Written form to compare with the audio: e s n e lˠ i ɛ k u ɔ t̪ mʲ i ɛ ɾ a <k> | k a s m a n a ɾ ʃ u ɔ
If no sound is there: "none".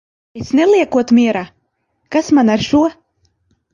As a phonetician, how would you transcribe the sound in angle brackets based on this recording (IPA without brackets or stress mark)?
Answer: none